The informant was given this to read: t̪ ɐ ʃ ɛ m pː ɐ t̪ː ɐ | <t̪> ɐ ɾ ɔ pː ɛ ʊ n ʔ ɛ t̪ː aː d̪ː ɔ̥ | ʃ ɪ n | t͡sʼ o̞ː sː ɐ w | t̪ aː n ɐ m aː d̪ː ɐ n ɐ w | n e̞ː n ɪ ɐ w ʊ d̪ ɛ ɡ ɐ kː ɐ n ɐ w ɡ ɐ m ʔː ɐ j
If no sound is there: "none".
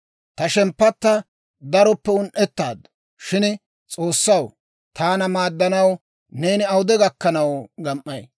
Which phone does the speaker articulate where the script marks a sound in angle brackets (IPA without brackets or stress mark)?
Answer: d̪